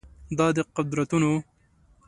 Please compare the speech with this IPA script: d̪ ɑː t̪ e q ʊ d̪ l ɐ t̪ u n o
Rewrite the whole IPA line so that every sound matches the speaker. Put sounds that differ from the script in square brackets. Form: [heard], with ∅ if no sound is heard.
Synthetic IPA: d̪ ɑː [d̪] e q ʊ d̪ [ɾ] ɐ t̪ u n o